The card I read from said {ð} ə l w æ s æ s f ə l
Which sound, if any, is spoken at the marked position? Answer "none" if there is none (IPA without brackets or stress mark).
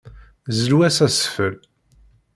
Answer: z